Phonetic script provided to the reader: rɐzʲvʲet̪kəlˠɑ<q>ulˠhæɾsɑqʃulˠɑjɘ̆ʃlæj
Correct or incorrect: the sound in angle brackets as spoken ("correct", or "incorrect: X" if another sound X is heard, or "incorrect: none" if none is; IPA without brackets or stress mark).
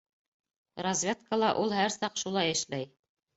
incorrect: ʔ